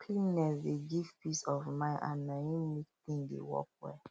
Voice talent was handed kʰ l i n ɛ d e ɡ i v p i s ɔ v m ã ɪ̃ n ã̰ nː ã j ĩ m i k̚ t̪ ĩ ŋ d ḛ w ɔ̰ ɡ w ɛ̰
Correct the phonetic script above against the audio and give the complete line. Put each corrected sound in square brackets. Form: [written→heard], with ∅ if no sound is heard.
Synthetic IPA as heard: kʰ l i n ɛ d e ɡ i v p i s ɔ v m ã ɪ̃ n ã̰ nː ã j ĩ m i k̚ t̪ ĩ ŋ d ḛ w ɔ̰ [ɡ→k] w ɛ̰